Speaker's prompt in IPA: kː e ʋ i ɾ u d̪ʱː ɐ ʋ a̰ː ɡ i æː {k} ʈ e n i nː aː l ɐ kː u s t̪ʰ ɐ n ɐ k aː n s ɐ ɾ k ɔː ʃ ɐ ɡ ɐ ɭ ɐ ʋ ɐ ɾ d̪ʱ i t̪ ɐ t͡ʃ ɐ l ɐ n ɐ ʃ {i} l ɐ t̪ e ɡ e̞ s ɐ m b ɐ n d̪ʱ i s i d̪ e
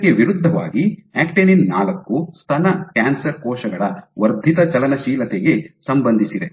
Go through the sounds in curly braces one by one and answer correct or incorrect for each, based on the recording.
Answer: correct, incorrect: iː

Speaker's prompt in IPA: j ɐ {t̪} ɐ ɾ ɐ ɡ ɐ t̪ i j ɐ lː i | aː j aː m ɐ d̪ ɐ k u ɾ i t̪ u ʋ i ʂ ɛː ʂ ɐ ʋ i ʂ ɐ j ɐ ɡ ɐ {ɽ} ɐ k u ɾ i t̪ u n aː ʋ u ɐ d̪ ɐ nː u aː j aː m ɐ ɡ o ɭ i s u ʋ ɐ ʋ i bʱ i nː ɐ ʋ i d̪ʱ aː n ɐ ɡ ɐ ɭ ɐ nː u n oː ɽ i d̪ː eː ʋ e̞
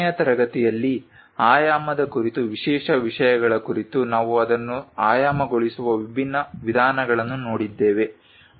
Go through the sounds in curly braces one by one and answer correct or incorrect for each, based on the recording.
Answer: correct, incorrect: ɭ

